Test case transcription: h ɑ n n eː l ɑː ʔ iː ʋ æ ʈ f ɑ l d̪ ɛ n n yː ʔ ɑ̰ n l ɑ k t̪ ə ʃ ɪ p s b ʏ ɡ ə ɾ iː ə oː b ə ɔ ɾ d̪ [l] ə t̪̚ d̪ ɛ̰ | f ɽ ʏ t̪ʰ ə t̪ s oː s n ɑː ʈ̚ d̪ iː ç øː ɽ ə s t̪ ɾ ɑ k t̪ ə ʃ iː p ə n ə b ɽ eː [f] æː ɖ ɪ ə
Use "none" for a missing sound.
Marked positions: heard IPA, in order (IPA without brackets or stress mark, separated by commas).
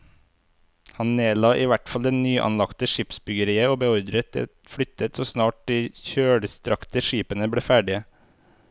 ɾ, f